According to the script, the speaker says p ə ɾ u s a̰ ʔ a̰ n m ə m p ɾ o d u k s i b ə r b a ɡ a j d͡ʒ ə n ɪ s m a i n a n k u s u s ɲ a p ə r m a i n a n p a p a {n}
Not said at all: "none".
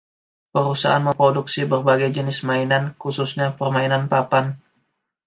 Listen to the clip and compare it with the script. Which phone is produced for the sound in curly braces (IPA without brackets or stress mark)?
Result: n